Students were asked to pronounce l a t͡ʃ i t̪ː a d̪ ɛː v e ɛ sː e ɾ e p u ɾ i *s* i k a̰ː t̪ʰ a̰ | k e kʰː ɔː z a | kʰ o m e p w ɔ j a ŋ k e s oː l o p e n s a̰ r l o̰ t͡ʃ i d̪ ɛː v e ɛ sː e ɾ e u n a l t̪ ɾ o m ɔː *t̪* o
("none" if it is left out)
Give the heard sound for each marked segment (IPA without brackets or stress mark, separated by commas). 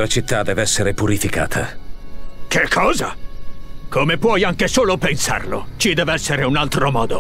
f, d̪